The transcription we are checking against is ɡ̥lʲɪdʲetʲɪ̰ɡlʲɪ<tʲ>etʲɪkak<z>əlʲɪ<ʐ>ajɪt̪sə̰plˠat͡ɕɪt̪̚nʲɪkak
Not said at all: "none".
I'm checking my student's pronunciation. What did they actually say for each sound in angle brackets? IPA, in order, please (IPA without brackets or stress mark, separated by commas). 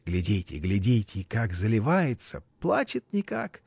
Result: dʲ, z, v